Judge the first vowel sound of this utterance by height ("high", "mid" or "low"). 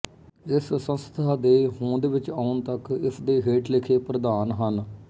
high